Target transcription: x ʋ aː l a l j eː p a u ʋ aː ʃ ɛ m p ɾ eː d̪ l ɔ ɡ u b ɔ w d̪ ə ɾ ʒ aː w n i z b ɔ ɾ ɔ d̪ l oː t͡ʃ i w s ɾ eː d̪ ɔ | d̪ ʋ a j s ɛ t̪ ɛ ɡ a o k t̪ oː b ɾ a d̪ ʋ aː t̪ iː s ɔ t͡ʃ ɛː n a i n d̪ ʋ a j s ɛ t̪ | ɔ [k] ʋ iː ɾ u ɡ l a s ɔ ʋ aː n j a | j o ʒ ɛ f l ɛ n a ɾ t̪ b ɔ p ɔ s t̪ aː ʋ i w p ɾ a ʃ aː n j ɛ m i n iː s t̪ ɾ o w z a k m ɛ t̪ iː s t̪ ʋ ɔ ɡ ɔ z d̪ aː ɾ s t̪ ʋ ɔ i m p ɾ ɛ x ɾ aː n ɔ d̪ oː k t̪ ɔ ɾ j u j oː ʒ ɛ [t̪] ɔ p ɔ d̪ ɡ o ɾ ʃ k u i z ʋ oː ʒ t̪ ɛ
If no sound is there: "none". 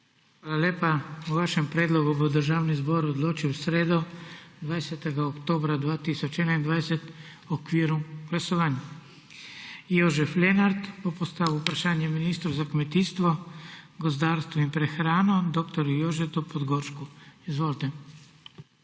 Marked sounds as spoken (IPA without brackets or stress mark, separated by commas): k, t̪